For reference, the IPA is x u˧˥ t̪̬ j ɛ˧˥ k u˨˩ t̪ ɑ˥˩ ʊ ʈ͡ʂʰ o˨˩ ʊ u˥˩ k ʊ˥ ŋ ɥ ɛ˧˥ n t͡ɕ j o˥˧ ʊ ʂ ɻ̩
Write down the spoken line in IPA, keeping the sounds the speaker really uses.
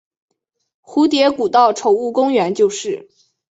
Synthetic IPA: x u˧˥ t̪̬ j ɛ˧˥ k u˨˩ t̪ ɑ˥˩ ʊ ʈ͡ʂʰ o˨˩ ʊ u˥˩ k ʊ˥ ŋ ɥ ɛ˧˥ n t͡ɕ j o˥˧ ʊ ʂ ɻ̩